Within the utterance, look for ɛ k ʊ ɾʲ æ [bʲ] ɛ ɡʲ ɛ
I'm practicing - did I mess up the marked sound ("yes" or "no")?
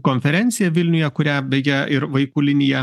no